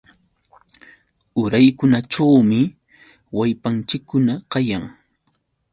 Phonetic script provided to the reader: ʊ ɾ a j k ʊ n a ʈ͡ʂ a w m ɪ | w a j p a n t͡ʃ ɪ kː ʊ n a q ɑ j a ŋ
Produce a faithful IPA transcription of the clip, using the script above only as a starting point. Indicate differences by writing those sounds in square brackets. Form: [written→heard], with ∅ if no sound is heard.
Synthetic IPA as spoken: ʊ ɾ a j k ʊ n a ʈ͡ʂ a w m ɪ | w a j p a n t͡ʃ ɪ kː ʊ n a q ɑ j a ŋ